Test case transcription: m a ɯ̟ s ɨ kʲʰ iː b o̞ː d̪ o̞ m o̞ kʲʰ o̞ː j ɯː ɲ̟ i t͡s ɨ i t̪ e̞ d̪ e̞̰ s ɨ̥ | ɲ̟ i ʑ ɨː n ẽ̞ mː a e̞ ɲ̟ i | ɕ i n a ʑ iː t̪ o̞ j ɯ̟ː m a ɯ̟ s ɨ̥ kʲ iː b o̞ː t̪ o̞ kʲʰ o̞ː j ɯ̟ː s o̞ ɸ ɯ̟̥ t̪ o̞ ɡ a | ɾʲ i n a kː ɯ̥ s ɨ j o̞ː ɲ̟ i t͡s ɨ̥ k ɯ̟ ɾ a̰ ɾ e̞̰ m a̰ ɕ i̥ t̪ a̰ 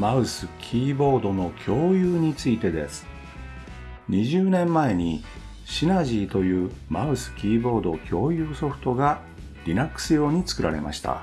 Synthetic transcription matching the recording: m a ɯ̟ s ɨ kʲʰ iː b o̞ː d̪ o̞ n o̞ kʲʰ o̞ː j ɯː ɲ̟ i t͡s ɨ i t̪ e̞ d̪ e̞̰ s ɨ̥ | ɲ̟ i ʑ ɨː n ẽ̞ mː a e̞ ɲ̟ i | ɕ i n a ʑ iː t̪ o̞ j ɯ̟ː m a ɯ̟ s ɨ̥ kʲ iː b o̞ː d̪ o̞ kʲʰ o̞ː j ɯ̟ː s o̞ ɸ ɯ̟̥ t̪ o̞ ɡ a | ɾʲ i n a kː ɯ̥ s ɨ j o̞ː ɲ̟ i t͡s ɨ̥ k ɯ̟ ɾ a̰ ɾ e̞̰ m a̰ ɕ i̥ t̪ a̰